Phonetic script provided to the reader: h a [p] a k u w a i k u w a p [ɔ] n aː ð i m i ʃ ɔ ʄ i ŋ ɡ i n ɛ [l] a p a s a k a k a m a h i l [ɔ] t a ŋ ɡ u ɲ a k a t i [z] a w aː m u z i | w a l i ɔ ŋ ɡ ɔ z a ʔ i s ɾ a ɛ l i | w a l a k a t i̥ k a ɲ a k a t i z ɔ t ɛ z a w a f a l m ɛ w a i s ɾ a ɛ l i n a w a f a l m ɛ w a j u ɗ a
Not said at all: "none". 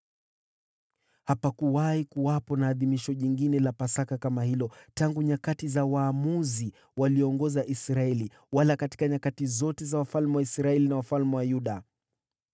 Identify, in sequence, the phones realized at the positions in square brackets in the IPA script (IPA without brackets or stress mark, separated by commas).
p, ɔ, l, ɔ, z